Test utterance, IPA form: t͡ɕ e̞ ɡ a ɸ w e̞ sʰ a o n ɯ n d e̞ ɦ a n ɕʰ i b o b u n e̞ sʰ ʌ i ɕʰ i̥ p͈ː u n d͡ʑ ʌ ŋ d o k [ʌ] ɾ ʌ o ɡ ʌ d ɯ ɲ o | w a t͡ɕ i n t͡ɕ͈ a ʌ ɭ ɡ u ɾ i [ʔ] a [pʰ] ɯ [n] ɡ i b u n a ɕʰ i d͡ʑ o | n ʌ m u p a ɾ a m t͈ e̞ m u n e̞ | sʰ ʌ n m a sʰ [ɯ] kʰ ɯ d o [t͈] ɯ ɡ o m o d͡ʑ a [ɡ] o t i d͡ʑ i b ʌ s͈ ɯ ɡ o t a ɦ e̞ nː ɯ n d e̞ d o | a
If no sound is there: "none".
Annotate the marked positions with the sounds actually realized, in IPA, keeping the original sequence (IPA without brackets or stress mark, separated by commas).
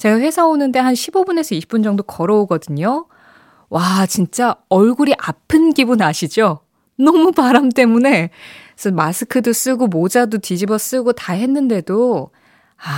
ʌ, ʔ, pʰ, n, ɯ, s͈, d